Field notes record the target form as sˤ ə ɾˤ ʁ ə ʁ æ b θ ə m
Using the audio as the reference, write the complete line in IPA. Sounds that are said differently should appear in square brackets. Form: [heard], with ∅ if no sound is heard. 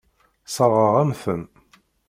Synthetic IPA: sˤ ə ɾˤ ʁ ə ʁ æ [m] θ ə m